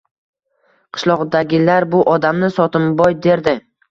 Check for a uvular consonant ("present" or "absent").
present